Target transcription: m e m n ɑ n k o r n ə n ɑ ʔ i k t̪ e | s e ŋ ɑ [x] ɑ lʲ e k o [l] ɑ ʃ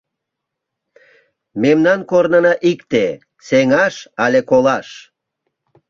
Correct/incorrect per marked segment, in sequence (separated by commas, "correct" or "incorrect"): incorrect, correct